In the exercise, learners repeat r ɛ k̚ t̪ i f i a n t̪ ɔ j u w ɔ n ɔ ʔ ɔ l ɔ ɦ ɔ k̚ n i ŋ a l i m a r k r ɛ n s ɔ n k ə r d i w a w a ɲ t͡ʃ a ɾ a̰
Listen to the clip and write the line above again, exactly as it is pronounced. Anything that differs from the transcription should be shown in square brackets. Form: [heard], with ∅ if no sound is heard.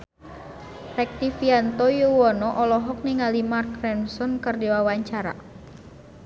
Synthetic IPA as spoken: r ɛ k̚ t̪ i f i a n t̪ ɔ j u w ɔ n ɔ ʔ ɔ l ɔ ɦ ɔ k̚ n i ŋ a l i m a r k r ɛ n s ɔ n k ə r d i w a w a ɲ t͡ʃ a ɾ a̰